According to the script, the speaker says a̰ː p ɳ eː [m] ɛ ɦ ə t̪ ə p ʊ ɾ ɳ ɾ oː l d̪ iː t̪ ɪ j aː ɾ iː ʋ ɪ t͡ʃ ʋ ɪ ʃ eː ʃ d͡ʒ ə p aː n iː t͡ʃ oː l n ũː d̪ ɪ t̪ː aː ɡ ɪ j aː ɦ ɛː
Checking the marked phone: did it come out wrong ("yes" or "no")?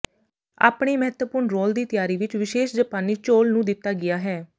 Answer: no